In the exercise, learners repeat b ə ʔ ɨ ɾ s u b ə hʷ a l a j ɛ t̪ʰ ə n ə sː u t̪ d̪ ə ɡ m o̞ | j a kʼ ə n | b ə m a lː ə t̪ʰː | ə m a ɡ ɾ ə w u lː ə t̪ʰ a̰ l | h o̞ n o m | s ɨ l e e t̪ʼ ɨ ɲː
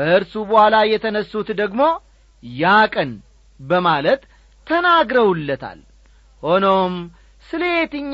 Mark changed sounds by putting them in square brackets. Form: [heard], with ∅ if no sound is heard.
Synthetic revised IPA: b ə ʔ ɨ ɾ s u b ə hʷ a l a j ɛ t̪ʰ ə n ə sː u t̪ d̪ ə ɡ m o̞ | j a kʼ ə n | b ə m a [l] ə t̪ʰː | ə [n] a ɡ ɾ ə w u lː ə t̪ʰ a̰ l | h o̞ n o m | s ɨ l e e [t̪] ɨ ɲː